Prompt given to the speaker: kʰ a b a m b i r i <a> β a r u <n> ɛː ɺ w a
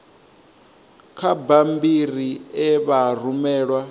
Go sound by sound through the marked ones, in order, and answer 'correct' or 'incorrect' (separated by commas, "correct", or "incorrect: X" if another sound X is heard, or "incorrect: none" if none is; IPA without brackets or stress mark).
incorrect: ɛ, incorrect: m